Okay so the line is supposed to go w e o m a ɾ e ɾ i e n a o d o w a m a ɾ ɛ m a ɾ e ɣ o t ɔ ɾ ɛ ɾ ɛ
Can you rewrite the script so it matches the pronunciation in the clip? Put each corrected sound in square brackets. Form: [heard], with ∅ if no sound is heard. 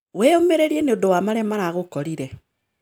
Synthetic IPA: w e o m [e] ɾ e ɾ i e n [e] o d o w a m a ɾ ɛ m a ɾ [a] ɣ o [k] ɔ ɾ [i] ɾ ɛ